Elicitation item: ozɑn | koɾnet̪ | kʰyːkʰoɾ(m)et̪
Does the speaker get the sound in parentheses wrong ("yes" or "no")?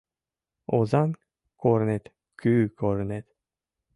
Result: yes